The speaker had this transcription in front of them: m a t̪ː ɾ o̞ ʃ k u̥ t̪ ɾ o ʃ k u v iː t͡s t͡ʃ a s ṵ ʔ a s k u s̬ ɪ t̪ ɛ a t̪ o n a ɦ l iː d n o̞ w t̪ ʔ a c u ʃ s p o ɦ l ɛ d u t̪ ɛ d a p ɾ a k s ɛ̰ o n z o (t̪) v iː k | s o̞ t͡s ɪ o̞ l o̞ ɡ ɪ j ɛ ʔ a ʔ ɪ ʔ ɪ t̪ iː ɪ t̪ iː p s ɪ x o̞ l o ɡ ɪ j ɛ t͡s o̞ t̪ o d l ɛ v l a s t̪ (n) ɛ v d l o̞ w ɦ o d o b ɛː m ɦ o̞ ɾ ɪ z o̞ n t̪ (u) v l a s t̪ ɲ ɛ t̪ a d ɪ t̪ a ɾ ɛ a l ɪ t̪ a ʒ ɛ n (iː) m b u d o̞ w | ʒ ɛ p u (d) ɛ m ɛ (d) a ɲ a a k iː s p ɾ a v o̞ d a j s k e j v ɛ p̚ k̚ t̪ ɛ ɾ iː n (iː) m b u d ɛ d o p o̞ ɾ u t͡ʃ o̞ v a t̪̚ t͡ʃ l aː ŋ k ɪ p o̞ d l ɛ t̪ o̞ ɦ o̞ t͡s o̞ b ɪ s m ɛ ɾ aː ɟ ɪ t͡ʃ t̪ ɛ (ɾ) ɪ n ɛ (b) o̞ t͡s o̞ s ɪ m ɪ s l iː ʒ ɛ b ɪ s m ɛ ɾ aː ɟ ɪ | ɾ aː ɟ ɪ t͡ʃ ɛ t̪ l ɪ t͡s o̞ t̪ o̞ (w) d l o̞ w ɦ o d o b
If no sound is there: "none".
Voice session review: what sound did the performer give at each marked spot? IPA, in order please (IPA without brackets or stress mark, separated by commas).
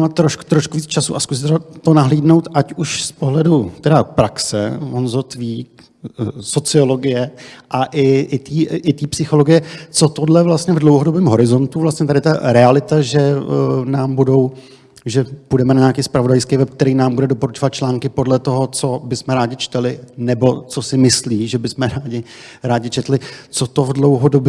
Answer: t̪, ɲ, u, aː, d, n, aː, l, b, v